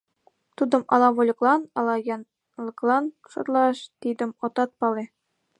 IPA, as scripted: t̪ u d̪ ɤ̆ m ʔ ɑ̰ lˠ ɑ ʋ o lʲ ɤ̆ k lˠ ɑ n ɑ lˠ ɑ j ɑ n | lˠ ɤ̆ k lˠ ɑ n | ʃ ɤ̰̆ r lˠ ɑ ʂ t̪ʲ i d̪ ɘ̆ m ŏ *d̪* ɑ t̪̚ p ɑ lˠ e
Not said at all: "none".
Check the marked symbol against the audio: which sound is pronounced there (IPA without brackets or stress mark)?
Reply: t̪